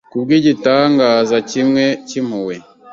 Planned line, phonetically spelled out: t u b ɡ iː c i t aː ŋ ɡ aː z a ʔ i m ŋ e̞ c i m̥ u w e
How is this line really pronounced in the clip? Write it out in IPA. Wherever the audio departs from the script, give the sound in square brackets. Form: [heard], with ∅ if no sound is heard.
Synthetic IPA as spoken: [k] u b ɡ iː [ɟ] i t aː ŋ ɡ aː z a [c] i m ŋ e̞ c i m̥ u w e